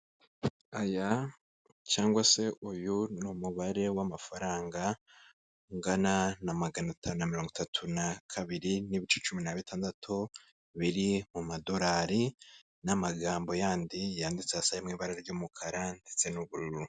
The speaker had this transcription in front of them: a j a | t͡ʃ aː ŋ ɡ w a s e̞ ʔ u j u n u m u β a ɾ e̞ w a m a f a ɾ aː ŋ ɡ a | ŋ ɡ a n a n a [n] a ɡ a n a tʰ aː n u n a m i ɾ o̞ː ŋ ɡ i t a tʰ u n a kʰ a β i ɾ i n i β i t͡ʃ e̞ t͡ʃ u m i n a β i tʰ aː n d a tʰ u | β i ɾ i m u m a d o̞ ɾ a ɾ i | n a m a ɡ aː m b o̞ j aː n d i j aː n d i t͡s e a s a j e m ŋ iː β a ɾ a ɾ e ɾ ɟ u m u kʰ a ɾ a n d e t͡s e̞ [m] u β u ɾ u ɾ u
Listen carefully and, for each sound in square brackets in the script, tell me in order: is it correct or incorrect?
incorrect: m, incorrect: n

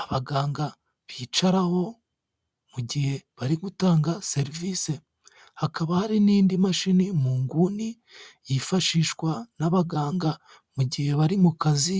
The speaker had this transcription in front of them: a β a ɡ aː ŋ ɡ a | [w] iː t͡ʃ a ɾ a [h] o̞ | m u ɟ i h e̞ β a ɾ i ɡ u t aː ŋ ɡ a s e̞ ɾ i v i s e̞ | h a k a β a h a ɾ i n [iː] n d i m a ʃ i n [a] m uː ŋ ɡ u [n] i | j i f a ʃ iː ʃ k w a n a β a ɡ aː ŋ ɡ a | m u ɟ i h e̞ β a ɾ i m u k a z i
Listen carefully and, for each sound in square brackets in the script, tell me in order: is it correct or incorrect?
incorrect: β, correct, correct, incorrect: i, correct

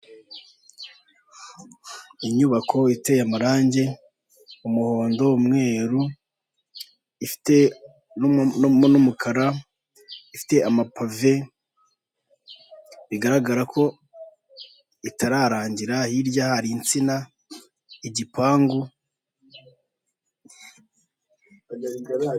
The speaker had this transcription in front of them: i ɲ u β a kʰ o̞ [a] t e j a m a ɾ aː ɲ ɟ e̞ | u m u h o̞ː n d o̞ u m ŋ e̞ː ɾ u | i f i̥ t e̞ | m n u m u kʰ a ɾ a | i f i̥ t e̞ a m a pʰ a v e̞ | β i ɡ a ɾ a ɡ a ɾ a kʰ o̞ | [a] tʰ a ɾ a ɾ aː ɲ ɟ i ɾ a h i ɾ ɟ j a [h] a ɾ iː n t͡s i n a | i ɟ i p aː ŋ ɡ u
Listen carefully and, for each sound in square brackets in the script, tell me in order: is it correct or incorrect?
incorrect: i, incorrect: i, correct

